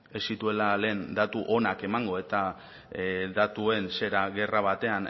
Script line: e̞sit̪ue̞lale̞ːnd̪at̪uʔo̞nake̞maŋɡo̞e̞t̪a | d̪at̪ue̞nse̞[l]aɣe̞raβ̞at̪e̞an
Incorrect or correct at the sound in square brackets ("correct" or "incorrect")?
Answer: incorrect